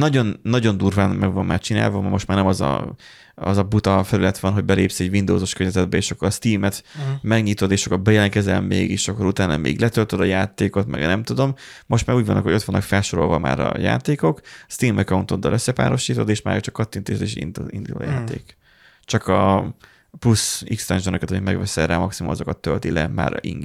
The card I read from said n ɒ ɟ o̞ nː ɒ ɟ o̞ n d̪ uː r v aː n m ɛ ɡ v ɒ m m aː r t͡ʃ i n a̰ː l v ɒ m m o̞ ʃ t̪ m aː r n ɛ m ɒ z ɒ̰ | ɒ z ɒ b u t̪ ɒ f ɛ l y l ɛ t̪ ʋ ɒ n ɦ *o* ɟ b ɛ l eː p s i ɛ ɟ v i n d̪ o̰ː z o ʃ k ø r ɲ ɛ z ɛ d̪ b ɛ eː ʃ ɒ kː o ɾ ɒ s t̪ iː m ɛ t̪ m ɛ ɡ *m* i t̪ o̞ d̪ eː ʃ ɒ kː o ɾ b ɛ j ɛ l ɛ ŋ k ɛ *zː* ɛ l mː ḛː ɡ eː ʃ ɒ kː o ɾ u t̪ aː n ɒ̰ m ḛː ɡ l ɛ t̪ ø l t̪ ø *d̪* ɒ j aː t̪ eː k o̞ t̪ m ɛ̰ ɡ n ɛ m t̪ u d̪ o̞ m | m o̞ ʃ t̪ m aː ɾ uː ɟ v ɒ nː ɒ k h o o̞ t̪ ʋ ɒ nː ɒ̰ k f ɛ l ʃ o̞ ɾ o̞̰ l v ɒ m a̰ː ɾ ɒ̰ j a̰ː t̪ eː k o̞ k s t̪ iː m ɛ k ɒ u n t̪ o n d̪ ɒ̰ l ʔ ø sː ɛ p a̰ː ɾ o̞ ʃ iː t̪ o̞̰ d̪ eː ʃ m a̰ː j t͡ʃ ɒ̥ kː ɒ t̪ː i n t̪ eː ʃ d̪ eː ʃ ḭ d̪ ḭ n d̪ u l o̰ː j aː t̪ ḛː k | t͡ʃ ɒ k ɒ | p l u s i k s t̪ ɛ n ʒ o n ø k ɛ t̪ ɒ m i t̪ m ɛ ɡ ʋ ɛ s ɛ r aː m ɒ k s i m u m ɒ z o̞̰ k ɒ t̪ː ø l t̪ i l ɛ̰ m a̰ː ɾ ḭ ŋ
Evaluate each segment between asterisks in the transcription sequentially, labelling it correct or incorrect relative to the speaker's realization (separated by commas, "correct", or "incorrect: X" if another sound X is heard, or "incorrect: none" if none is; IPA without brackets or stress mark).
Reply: correct, incorrect: ɲ, incorrect: z, correct